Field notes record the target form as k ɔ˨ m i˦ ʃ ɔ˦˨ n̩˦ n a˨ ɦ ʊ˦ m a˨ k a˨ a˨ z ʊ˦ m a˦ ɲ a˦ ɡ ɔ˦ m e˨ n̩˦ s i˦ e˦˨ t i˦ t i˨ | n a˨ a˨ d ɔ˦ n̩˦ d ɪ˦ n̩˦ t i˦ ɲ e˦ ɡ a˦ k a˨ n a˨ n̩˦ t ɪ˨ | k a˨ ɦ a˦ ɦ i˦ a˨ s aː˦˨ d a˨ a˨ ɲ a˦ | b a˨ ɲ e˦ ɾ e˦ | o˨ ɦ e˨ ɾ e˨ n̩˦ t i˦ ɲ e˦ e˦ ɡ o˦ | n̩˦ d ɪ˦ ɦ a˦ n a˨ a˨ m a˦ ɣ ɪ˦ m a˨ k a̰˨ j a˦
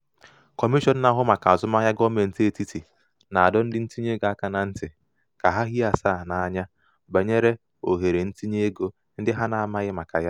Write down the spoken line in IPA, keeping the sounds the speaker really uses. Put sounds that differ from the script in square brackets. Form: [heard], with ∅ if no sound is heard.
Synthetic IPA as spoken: k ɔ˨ m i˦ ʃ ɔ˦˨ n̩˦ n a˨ ɦ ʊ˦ m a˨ k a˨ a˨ z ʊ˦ m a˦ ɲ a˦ ɡ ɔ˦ m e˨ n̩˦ [t] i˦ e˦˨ t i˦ t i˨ | n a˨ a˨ d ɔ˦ n̩˦ d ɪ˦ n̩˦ t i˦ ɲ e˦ ɡ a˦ k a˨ n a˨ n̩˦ t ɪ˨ | k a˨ ɦ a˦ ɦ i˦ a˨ s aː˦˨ [n] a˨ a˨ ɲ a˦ | b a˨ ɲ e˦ ɾ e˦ | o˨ ɦ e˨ ɾ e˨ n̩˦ t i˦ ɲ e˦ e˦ ɡ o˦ | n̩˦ d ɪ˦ ɦ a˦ n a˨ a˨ m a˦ ɣ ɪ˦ m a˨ k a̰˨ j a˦